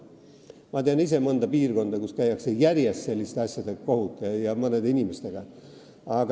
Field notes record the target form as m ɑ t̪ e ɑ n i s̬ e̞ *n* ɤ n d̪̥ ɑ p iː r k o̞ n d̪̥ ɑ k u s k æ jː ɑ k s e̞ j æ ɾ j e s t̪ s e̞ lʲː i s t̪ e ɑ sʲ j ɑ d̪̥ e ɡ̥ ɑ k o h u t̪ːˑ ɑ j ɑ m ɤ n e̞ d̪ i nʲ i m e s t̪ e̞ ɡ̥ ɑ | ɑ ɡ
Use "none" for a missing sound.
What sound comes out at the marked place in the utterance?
m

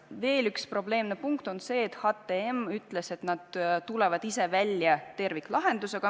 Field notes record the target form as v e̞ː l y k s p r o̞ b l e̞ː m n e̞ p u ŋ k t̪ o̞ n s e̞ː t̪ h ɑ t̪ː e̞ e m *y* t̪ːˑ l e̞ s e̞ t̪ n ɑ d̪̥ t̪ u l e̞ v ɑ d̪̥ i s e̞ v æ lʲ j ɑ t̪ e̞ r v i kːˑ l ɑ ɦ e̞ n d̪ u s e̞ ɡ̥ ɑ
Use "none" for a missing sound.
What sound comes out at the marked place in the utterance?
y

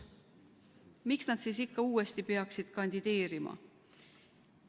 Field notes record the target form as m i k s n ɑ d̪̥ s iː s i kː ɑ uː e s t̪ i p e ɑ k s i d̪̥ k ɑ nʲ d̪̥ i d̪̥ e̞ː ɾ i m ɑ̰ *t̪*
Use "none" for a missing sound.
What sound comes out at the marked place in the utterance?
none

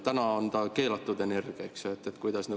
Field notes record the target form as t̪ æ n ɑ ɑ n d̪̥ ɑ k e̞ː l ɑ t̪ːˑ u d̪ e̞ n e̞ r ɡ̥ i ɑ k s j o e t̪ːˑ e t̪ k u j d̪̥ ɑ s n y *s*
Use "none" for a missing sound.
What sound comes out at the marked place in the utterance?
none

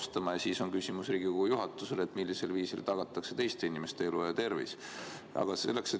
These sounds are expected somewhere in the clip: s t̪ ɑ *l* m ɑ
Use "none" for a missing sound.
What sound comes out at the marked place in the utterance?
none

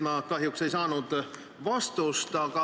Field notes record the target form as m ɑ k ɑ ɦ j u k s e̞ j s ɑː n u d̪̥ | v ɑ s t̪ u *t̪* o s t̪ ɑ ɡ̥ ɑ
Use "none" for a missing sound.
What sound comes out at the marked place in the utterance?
none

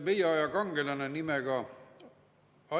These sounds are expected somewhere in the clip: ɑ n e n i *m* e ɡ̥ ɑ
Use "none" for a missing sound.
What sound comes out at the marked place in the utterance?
m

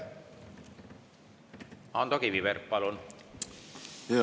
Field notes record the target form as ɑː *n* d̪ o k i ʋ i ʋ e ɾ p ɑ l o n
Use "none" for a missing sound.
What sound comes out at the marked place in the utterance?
n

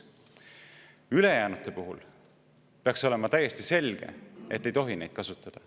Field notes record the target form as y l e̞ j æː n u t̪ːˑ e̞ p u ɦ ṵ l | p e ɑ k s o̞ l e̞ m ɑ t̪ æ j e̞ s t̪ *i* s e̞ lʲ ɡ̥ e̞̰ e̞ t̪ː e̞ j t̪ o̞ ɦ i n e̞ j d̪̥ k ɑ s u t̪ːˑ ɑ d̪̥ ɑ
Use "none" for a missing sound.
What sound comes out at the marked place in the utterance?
i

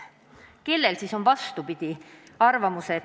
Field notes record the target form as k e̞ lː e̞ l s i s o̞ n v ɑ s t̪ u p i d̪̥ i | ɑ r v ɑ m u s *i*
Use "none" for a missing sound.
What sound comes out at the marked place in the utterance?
e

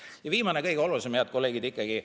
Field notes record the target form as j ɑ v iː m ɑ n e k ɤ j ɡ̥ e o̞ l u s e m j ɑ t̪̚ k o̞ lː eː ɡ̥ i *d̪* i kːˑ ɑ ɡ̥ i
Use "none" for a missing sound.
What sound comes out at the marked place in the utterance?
d̪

